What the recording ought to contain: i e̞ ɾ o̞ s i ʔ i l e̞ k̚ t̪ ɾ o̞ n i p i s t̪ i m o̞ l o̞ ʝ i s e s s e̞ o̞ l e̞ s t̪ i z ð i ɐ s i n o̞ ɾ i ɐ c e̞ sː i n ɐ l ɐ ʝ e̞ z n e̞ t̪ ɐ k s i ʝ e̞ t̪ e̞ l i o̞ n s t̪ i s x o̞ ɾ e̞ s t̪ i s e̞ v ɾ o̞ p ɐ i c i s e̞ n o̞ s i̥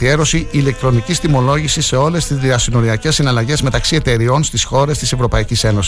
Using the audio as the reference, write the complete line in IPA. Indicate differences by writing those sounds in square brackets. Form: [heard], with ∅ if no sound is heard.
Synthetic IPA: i e̞ ɾ o̞ s i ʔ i l e̞ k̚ t̪ ɾ o̞ n i [c] i s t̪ i m o̞ l o̞ ʝ i s [i] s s e̞ o̞ l e̞ s t̪ i z ð i ɐ s i n o̞ ɾ i ɐ c e̞ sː i n ɐ l ɐ ʝ e̞ z [m] e̞ t̪ ɐ k s i [∅] e̞ t̪ e̞ [ɾ] i o̞ n s t̪ i s x o̞ ɾ e̞ s t̪ i s e̞ v ɾ o̞ p ɐ i c i s e̞ n o̞ s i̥